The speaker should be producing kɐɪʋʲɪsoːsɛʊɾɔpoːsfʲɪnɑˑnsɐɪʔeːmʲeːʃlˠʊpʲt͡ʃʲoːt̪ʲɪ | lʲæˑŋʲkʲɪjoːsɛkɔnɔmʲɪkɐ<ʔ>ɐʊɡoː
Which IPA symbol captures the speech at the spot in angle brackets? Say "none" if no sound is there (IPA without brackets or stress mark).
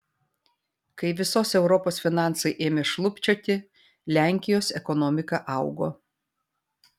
ʔ